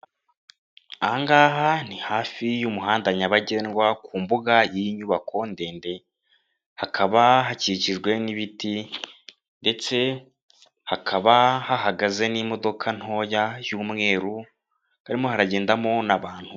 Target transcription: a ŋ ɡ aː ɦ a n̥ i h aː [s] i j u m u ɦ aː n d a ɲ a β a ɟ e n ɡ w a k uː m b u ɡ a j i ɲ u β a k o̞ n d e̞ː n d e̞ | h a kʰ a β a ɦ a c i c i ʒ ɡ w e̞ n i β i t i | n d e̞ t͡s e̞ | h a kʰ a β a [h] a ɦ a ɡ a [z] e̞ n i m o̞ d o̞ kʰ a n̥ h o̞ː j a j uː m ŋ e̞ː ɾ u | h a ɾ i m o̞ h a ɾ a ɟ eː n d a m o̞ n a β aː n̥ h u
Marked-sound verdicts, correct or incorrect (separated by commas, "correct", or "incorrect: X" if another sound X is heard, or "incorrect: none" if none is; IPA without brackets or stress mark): incorrect: f, correct, correct